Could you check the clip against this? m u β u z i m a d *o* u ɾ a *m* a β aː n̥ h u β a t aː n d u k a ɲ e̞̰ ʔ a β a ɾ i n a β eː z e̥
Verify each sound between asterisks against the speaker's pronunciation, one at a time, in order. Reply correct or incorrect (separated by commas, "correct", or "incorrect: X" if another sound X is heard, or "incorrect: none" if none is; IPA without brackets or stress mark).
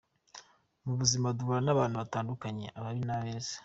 incorrect: u, incorrect: n